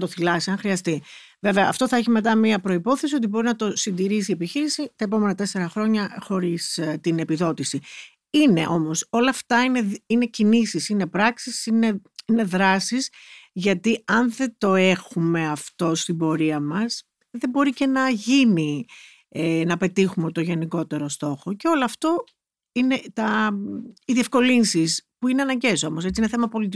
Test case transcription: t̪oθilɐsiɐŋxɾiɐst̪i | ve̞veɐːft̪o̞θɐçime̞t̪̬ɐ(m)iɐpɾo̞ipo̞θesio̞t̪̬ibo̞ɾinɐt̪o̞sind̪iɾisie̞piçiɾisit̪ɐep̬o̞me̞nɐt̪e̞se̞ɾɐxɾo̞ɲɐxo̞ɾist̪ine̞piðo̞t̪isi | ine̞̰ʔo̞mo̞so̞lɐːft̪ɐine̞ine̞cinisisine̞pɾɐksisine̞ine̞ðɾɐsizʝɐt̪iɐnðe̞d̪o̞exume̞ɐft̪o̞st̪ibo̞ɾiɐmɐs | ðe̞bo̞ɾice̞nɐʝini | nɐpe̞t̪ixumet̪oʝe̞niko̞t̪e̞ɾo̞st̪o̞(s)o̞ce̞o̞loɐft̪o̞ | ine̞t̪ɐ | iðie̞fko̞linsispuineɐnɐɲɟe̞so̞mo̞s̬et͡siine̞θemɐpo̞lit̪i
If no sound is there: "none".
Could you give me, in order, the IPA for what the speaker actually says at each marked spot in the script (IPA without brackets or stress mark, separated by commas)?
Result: m, x